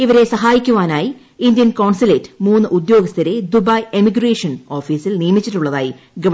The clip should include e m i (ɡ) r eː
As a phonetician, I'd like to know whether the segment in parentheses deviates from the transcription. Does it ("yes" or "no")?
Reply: no